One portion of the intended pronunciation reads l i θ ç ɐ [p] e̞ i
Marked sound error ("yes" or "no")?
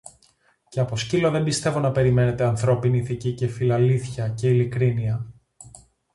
yes